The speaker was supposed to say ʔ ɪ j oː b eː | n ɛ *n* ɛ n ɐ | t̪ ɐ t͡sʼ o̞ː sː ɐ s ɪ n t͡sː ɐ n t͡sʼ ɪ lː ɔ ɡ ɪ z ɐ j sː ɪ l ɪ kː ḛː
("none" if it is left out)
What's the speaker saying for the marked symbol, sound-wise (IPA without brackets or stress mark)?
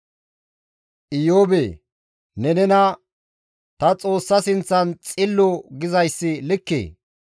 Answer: n